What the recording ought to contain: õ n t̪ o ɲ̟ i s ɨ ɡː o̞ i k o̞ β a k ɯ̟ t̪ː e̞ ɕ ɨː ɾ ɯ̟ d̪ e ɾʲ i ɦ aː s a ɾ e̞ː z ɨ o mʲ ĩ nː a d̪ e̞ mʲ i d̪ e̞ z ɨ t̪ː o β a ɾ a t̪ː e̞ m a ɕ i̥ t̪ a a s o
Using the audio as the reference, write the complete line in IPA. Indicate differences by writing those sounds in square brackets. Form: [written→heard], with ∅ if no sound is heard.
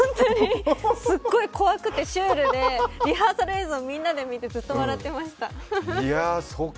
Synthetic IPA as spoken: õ n t̪ o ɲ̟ i s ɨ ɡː o̞ i k o̞ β a k ɯ̟ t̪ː e̞ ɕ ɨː ɾ ɯ̟ d̪ e ɾʲ i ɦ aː s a ɾ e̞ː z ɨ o mʲ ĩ nː a d̪ e̞ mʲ i [d̪→t̪] e̞ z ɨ t̪ː o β a ɾ a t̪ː e̞ m a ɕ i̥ t̪ a a s o